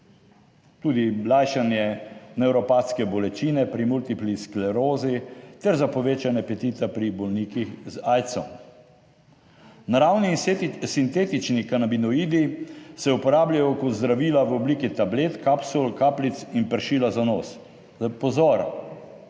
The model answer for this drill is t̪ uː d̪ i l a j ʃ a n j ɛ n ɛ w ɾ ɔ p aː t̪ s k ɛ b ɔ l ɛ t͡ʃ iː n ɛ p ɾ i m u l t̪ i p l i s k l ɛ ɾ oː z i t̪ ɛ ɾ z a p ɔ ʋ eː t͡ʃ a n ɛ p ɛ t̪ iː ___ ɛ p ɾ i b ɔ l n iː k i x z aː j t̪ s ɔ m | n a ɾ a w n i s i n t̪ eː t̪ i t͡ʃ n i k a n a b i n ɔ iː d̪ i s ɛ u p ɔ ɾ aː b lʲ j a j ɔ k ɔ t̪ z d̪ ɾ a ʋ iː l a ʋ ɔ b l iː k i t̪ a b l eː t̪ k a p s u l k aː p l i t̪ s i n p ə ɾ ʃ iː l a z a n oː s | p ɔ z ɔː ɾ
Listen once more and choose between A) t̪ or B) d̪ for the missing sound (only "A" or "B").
A